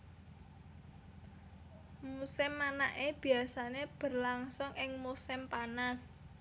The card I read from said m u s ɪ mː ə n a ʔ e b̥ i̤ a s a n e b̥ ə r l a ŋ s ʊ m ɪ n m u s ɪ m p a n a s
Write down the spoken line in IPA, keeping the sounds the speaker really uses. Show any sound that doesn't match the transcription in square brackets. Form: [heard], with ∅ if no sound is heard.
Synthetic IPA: m u s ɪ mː [a] n a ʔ e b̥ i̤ a s a n e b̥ ə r l a ŋ s ʊ [ŋ] ɪ [ŋ] m u s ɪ m p a n a s